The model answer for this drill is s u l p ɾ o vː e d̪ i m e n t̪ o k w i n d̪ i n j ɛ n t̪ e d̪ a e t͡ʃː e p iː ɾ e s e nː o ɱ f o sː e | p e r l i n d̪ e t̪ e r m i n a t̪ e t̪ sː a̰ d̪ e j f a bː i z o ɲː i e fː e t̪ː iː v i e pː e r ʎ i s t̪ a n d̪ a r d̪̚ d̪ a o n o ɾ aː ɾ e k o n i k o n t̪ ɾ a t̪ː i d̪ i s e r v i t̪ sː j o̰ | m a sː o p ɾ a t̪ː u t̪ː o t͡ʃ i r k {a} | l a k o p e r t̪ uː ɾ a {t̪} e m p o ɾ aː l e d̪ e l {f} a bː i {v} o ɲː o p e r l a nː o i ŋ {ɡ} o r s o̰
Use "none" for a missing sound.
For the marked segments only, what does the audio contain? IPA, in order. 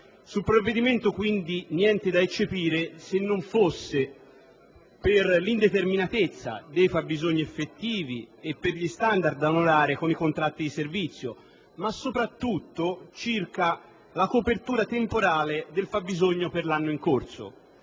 a, t̪, f, z, k

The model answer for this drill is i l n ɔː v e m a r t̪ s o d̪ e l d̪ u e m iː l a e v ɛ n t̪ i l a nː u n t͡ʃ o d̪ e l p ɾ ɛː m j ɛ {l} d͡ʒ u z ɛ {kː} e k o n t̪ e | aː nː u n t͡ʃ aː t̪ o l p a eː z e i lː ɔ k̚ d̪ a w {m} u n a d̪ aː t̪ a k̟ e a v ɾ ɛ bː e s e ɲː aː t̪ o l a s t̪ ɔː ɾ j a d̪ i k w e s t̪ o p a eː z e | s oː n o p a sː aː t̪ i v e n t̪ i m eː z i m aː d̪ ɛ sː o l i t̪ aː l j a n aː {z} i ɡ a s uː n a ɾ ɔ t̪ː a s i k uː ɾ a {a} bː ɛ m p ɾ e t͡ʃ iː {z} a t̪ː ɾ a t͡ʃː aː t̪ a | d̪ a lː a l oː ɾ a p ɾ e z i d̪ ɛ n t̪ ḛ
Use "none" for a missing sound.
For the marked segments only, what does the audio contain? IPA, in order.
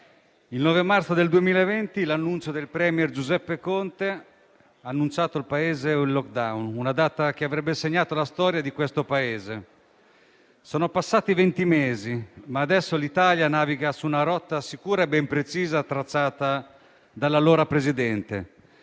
r, pː, n, v, e, z

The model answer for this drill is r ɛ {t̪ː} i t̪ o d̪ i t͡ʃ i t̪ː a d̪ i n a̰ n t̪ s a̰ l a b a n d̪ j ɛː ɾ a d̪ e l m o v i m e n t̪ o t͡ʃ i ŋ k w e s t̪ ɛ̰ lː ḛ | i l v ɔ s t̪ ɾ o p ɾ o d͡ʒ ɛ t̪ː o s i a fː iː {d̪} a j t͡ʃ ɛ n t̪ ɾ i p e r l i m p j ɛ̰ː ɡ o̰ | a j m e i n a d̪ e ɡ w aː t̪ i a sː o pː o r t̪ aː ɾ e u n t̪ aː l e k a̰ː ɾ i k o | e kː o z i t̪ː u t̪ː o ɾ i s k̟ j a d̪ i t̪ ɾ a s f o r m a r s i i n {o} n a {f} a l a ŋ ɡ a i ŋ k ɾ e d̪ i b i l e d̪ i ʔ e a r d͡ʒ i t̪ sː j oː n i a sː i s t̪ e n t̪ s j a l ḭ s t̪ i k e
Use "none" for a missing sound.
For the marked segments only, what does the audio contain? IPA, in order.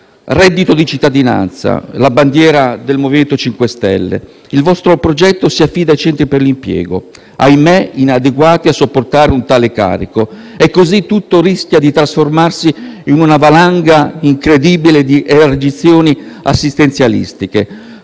d̪ː, d̪, u, v

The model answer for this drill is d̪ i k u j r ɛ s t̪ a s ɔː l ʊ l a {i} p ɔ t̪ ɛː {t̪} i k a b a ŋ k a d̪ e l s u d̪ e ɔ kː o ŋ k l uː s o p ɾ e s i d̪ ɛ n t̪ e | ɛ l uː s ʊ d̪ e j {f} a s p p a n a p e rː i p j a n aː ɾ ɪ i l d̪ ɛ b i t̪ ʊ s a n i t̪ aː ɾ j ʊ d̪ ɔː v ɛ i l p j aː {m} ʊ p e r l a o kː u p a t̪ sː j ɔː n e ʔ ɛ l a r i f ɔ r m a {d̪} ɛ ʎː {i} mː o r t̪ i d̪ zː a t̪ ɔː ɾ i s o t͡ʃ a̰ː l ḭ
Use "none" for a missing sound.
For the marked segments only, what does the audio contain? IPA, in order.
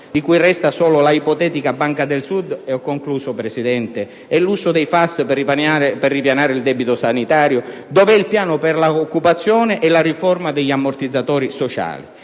i, t̪, f, n, d̪, a

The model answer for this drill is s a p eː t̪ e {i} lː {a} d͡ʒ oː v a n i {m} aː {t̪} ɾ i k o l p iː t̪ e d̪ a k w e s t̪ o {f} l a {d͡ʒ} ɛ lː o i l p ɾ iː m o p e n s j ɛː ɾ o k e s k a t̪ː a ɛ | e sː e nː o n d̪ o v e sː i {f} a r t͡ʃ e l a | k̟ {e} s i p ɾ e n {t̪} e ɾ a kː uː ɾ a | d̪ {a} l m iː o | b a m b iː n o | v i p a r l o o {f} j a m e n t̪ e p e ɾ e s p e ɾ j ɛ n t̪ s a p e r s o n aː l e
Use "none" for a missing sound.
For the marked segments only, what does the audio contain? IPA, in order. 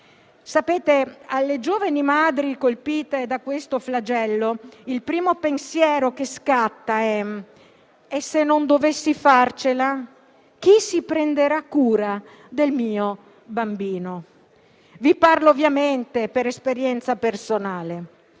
a, e, m, d̪, f, d͡ʒ, f, i, d̪, e, v

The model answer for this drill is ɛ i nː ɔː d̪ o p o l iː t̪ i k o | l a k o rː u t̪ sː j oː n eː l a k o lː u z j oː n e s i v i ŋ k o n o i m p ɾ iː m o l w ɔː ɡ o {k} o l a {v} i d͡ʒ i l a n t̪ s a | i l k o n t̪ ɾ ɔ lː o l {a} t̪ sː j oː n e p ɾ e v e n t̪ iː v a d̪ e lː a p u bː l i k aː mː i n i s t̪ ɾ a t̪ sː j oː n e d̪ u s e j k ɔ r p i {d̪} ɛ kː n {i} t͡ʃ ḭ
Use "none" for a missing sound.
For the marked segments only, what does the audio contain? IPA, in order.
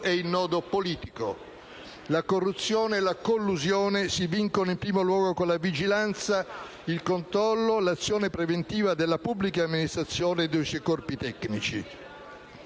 k, v, a, t̪, i

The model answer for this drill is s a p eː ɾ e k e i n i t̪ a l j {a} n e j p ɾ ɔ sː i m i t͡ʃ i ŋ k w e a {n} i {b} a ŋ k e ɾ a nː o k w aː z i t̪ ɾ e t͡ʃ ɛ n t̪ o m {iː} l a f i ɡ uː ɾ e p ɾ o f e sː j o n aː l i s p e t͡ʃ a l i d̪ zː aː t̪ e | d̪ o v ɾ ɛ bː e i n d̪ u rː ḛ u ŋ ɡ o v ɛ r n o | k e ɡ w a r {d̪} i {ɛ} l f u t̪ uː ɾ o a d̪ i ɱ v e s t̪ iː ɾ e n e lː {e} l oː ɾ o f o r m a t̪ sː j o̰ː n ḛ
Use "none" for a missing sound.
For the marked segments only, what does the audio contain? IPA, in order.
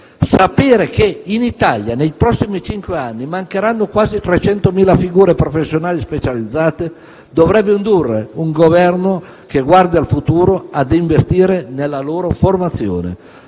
a, nː, m, iː, d̪, a, a

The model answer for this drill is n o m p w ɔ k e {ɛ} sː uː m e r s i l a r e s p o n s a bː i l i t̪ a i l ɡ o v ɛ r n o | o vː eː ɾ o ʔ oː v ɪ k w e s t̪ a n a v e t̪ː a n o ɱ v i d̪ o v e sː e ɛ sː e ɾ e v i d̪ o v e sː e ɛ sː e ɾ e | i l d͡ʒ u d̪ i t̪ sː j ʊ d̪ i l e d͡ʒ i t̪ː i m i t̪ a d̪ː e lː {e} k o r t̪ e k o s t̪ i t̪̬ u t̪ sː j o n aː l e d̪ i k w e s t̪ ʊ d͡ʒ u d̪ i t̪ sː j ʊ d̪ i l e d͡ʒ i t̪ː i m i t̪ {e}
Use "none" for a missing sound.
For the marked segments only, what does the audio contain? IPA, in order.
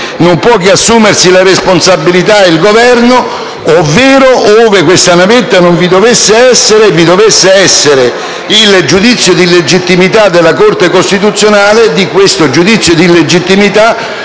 a, a, a

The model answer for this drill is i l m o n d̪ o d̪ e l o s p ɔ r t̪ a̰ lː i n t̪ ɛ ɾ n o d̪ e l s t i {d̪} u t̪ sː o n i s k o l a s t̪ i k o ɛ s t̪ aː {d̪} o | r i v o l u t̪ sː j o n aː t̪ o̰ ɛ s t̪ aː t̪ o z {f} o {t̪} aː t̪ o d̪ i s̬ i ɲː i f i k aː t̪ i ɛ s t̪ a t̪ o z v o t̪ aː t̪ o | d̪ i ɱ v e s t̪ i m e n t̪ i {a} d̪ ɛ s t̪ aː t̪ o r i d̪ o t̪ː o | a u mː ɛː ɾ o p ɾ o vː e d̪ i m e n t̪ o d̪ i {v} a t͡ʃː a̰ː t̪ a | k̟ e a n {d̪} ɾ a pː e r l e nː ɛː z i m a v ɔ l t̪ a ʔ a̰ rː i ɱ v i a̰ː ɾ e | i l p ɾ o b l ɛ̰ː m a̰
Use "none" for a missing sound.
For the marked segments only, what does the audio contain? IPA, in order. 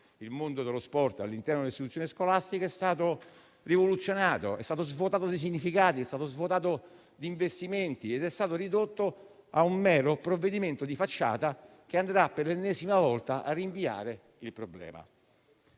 t̪, t̪, v, t̪, e, f, d̪

